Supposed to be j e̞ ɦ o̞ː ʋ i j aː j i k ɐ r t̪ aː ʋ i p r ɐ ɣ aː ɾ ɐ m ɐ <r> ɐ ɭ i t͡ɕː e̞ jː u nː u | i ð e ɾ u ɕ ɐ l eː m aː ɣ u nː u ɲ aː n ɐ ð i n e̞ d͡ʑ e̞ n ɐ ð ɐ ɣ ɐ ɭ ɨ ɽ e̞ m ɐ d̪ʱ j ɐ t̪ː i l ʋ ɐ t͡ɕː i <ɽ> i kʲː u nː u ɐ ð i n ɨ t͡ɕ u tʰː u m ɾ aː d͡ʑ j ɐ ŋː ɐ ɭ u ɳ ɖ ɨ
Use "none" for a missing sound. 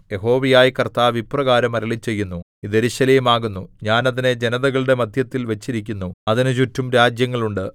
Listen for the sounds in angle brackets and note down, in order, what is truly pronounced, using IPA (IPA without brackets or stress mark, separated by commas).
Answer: ɾ, ɾ